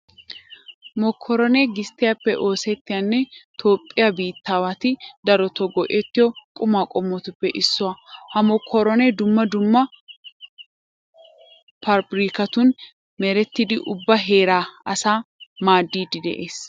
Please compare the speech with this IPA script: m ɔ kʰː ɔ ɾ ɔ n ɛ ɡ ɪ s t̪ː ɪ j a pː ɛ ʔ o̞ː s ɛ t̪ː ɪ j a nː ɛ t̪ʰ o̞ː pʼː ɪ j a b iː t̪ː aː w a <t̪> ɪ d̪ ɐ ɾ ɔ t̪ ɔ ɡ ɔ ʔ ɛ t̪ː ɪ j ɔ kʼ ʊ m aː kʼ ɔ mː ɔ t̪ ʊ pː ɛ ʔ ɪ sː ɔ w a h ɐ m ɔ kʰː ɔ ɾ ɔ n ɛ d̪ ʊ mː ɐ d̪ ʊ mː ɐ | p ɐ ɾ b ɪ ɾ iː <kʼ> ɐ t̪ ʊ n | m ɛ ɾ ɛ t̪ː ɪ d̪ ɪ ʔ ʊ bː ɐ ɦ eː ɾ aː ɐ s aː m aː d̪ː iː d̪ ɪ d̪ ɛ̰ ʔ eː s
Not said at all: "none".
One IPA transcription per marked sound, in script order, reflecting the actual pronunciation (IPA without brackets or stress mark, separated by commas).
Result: t̪, k